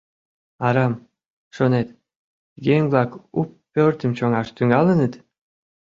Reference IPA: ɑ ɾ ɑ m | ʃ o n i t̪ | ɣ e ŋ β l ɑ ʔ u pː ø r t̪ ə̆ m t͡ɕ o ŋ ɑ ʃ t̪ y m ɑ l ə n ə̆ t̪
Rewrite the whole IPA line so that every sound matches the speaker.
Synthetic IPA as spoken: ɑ ɾ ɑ m | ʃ o n e t̪ | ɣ e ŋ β l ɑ k u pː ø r t̪ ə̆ m t͡ɕ o ŋ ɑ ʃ t̪ y ŋ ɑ l ə n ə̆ t̪